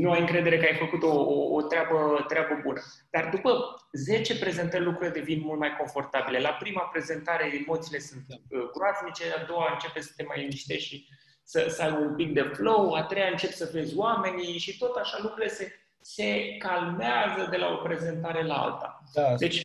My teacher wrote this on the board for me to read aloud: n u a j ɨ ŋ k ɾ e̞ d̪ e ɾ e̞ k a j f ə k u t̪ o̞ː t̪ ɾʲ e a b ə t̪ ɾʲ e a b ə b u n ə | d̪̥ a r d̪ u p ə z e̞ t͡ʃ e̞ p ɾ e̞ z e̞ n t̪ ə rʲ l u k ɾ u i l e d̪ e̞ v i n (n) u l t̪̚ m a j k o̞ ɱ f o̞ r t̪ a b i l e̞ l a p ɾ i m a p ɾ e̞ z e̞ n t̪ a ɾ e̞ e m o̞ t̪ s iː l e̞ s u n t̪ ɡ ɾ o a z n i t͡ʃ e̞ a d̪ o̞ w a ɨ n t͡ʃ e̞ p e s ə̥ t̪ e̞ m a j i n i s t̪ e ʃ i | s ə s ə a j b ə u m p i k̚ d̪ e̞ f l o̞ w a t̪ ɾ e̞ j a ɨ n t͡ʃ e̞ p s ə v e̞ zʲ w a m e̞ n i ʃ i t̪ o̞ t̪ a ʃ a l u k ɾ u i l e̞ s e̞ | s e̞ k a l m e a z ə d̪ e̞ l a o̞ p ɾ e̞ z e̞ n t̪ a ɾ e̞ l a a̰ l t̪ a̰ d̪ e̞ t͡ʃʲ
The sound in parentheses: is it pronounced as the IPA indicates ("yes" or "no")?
no